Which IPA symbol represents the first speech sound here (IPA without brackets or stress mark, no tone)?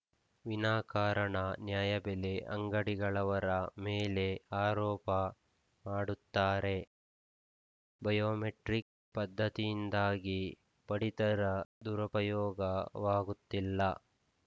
ʋ